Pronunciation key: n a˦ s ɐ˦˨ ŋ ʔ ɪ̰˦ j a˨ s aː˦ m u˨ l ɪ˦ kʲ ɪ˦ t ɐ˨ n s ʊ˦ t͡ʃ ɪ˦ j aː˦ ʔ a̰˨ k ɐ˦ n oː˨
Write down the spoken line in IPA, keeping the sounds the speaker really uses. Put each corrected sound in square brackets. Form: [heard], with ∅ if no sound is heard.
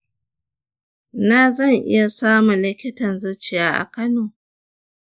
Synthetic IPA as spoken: n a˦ [z] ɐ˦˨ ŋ ʔ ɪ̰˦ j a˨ s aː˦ m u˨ l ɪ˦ kʲ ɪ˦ t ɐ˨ n [z] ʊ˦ t͡ʃ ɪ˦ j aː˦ ʔ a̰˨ k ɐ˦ n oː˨